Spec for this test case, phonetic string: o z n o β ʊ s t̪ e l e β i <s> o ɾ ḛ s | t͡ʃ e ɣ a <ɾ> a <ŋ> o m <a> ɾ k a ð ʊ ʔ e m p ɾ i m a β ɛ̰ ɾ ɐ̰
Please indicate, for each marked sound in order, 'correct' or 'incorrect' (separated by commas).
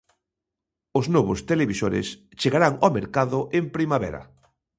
correct, correct, correct, incorrect